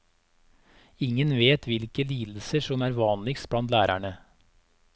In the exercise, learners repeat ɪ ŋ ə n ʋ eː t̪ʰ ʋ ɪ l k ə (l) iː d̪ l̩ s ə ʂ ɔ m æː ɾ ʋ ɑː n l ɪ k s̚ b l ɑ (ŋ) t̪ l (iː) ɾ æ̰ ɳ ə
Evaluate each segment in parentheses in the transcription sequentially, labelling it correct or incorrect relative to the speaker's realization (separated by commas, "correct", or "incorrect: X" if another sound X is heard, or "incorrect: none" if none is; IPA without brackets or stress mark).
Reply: correct, incorrect: n, incorrect: æː